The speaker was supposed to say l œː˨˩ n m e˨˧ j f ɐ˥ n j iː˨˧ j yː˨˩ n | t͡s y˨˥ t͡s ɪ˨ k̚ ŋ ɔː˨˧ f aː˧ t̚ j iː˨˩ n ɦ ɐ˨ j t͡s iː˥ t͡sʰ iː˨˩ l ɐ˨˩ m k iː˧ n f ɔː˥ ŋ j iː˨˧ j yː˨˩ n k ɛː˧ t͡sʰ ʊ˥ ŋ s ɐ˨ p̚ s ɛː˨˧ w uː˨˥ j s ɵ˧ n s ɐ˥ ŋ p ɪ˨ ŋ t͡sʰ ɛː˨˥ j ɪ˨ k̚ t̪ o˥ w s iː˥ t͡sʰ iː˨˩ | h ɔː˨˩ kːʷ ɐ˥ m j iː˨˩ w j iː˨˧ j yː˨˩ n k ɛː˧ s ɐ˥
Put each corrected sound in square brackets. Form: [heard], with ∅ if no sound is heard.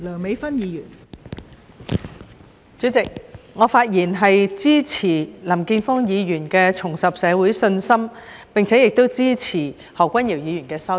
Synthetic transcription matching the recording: l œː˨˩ [ŋ] m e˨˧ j f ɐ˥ n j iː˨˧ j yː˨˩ n | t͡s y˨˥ t͡s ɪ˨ k̚ ŋ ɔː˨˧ f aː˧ t̚ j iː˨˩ n ɦ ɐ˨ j t͡s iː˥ t͡sʰ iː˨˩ l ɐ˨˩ m k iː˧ n f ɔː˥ ŋ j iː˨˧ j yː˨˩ n k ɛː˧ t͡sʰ [ʊ˨˩] ŋ s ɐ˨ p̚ s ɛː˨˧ w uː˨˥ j s ɵ˧ n s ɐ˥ [m] p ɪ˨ ŋ t͡sʰ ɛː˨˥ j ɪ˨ k̚ t̪ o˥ w [t͡s] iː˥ t͡sʰ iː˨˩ | h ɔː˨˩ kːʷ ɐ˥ [n] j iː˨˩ w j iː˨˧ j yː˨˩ n k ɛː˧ s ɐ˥